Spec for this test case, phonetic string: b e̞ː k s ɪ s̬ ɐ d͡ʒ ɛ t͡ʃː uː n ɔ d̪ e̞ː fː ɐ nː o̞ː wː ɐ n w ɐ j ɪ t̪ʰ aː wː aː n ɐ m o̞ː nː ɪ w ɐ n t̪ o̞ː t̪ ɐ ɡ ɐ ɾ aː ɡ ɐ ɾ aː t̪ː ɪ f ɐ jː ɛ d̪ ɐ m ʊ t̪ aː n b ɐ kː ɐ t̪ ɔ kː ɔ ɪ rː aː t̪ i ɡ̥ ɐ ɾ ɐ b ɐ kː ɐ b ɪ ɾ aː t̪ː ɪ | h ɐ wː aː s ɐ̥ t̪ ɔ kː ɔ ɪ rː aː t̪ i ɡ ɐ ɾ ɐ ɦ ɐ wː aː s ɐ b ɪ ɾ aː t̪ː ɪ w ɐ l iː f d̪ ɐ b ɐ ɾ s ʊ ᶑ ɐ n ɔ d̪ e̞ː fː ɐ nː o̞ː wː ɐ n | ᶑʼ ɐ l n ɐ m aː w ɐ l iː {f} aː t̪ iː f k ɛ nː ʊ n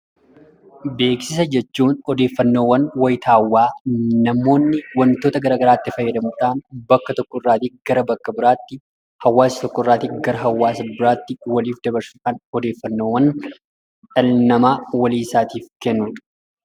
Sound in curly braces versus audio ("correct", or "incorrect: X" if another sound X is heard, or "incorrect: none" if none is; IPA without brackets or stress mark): incorrect: s